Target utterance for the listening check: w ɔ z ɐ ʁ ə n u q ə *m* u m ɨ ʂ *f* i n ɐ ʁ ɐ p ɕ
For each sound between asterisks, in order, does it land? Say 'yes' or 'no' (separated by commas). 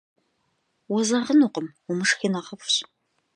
yes, no